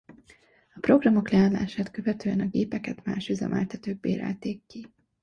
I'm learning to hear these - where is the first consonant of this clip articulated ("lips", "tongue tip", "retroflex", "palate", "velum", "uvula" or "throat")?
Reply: lips